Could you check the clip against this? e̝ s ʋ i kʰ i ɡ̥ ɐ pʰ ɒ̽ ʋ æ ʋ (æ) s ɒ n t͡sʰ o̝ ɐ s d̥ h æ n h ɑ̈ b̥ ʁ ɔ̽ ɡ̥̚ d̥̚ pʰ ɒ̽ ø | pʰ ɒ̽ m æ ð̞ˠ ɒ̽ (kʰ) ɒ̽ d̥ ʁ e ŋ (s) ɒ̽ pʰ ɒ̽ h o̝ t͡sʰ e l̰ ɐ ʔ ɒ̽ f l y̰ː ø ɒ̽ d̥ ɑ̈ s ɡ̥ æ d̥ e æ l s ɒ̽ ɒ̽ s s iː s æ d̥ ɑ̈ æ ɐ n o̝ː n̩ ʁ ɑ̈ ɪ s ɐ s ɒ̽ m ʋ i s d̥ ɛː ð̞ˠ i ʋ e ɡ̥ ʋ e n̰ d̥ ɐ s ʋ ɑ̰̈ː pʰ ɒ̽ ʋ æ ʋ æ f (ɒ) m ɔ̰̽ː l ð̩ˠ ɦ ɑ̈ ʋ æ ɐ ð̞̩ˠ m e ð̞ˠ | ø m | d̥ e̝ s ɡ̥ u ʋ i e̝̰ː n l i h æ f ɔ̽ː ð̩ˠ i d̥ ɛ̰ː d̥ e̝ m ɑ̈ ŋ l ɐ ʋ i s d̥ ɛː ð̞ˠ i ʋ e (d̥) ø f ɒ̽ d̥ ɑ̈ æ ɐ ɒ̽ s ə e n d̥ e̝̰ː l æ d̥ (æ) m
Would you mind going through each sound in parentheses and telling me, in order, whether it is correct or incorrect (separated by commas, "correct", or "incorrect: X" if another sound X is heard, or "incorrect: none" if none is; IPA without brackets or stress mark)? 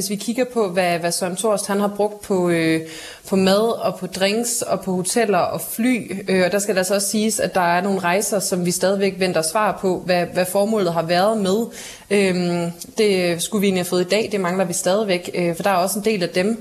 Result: correct, incorrect: pʰ, correct, incorrect: ɒː, incorrect: ɡ̥, incorrect: e